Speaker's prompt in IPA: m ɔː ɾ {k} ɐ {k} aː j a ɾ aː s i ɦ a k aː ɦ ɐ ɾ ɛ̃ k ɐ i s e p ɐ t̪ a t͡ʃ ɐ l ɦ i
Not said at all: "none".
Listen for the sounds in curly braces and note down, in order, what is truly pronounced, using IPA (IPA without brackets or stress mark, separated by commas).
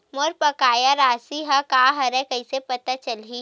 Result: p, k